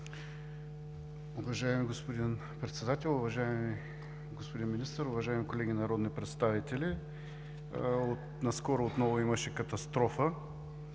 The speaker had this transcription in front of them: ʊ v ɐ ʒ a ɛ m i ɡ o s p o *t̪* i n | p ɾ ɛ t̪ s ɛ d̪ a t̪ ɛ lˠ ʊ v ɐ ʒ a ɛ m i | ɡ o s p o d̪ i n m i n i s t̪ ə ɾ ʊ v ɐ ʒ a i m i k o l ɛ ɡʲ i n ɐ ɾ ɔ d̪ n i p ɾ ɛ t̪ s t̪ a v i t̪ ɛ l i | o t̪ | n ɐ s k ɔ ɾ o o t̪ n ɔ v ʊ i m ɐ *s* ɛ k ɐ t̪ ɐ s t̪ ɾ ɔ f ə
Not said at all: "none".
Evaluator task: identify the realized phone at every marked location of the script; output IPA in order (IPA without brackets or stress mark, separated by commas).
d̪, ʃ